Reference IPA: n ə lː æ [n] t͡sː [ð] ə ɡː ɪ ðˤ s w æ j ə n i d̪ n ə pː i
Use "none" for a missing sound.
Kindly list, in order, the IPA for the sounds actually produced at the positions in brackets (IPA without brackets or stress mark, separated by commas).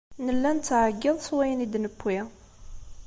n, ʕ